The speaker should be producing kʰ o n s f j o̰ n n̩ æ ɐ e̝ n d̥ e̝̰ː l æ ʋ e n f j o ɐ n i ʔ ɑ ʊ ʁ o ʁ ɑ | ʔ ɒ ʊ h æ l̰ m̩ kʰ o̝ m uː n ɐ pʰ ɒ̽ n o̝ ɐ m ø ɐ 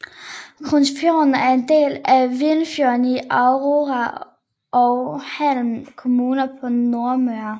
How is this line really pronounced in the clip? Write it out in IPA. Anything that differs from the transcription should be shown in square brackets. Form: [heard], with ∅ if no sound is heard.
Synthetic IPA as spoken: kʰ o n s f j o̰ n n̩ æ ɐ e̝ n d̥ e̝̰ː l æ ʋ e n f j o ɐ n i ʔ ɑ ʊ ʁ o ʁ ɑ | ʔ ɒ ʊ h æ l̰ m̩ kʰ o̝ m uː n ɐ pʰ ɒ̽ n o̝ ɐ m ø ɐ